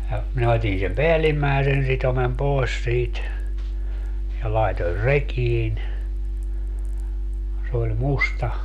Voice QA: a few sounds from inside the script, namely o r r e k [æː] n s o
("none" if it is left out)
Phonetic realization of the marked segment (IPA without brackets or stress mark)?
iː